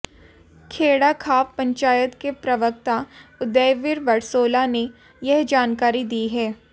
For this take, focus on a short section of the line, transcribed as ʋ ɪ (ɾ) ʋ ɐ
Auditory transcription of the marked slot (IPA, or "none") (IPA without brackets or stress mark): ɾ